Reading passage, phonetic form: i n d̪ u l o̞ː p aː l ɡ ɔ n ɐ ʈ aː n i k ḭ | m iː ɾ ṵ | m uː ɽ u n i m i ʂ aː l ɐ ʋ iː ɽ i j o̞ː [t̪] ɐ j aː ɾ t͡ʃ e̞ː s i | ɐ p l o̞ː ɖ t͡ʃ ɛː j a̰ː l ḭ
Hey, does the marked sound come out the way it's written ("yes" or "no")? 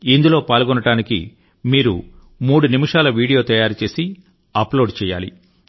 yes